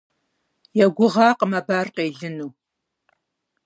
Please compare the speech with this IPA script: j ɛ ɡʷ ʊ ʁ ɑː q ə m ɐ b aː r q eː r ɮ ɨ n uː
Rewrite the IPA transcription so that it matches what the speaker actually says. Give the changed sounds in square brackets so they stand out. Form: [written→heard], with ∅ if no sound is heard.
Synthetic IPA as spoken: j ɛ ɡʷ ʊ ʁ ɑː q ə m ɐ b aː r q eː [r→∅] ɮ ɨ n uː